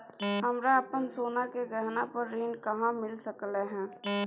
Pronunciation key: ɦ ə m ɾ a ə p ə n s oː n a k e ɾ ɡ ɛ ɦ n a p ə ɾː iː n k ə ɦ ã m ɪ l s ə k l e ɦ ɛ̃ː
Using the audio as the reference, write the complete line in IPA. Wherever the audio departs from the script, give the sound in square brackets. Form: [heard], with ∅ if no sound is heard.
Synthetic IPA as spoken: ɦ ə m ɾ a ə p ə n s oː n a k e [∅] ɡ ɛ ɦ n a p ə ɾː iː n k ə ɦ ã m ɪ l s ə k l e ɦ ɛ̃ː